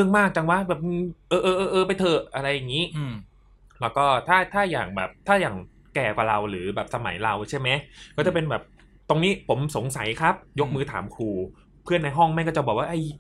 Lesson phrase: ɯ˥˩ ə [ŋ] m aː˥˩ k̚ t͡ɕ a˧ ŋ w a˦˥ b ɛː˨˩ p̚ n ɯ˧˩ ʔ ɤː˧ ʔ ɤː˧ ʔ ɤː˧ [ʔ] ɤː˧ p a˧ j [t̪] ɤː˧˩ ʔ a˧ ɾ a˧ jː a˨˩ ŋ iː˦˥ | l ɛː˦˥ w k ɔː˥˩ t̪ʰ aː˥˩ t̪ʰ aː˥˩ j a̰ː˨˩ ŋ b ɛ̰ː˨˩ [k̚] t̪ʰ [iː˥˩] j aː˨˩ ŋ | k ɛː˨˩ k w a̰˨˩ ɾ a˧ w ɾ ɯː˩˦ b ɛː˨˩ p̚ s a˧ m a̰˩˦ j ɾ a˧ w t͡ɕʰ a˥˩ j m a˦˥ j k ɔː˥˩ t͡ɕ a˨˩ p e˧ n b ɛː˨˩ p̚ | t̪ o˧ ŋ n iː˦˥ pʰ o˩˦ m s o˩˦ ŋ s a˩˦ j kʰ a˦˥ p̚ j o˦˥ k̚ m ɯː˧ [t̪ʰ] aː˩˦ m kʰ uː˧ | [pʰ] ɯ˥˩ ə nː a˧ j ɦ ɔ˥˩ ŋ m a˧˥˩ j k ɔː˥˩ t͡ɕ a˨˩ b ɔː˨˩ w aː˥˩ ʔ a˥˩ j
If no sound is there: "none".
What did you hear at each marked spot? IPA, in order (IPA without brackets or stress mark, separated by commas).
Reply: ŋ, ʔ, t̪ʰ, p̚, aː˥˩, t̪ʰ, pʰ